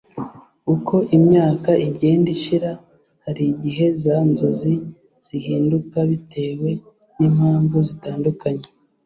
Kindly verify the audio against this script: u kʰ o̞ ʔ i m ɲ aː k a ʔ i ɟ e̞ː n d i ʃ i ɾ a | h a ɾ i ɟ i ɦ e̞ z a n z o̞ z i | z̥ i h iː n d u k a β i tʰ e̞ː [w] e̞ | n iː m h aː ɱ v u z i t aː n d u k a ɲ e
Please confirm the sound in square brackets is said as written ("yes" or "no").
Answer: yes